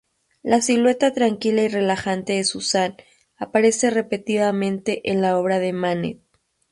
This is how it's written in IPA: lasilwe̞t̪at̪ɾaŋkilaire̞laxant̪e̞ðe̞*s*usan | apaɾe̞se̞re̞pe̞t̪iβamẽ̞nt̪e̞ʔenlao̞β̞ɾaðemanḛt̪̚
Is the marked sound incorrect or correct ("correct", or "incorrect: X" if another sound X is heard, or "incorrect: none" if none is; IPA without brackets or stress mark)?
correct